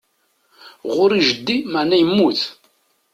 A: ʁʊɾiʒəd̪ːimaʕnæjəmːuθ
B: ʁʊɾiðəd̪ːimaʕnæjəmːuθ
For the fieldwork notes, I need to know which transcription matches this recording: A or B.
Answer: A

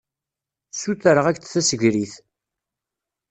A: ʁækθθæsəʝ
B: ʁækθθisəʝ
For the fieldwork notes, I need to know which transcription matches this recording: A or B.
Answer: A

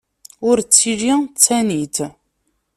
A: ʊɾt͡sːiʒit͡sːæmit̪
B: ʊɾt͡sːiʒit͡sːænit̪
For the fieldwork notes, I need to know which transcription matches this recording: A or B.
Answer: B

